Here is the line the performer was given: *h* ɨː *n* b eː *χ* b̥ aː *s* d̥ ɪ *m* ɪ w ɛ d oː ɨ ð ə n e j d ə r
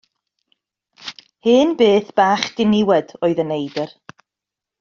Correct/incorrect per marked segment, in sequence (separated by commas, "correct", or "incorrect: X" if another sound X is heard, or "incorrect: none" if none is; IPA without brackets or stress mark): correct, correct, incorrect: θ, incorrect: χ, incorrect: n